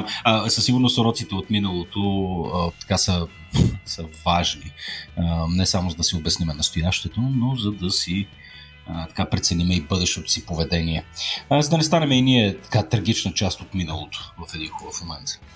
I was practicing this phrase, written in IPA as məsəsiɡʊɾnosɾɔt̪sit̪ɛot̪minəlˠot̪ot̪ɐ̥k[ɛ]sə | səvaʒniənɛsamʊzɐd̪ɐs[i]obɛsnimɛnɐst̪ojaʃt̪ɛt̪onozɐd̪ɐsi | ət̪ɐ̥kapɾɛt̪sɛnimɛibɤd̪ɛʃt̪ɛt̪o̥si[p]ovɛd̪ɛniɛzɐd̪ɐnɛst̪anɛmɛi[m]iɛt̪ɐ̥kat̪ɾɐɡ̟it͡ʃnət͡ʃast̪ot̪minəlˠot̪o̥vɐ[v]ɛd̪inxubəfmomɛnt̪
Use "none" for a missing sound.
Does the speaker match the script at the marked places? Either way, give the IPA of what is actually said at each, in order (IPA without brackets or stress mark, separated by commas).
a, i, p, n, f